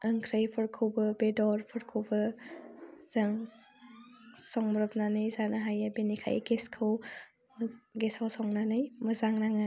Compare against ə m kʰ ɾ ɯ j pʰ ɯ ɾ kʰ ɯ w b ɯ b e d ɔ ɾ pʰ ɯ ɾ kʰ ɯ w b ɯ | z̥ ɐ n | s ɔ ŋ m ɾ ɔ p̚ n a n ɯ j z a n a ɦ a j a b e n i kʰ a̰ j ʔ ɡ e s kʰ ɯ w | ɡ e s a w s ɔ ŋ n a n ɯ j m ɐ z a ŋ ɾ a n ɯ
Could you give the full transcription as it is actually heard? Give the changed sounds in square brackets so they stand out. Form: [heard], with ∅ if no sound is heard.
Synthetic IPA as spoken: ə [ŋ] kʰ ɾ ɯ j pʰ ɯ ɾ kʰ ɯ w b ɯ b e d ɔ ɾ pʰ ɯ ɾ kʰ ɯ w b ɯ | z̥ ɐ [ŋ] | s ɔ ŋ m ɾ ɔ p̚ n a n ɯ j z a n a ɦ a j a b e n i kʰ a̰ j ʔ ɡ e s kʰ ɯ w | ɡ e s a w s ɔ ŋ n a n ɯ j m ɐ z a ŋ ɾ a [ŋ] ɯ